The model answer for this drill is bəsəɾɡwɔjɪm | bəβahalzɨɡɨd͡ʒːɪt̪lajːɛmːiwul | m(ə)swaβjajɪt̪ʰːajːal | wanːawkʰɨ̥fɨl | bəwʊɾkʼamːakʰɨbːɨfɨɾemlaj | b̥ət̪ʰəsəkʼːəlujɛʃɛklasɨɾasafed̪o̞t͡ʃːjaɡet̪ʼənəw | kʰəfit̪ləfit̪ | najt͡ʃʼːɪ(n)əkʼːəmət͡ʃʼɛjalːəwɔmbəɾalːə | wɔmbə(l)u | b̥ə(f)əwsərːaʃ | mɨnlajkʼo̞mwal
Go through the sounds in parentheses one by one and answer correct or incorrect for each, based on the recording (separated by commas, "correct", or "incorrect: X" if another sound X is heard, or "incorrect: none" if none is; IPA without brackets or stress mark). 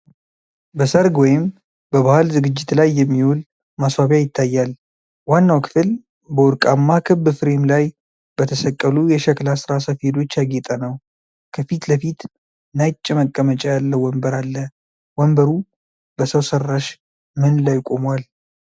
incorrect: a, incorrect: m, incorrect: ɾ, incorrect: s